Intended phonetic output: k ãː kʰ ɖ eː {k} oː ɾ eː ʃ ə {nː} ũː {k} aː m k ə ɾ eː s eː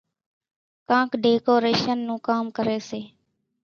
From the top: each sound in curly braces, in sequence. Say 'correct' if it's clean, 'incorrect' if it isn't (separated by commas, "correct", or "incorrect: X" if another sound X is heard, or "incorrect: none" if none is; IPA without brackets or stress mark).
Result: correct, correct, correct